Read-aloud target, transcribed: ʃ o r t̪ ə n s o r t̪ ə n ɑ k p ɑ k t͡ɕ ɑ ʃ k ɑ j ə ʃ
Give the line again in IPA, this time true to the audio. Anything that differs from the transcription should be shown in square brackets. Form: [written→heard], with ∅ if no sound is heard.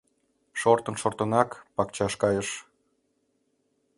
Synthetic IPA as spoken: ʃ o r t̪ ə n [s→ʃ] o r t̪ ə n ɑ k p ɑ k t͡ɕ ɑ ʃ k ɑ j ə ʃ